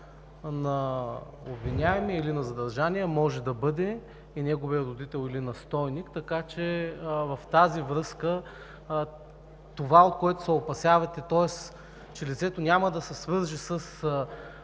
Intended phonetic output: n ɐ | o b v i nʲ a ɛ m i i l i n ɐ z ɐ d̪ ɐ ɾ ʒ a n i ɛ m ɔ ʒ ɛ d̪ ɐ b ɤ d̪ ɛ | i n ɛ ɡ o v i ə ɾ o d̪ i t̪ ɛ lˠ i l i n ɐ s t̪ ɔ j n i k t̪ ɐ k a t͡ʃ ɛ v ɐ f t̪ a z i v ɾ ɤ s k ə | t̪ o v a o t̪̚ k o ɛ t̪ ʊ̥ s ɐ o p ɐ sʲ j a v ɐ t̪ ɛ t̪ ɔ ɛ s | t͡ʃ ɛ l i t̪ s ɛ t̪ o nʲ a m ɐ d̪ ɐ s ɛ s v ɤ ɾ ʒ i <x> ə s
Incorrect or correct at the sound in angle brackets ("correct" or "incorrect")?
incorrect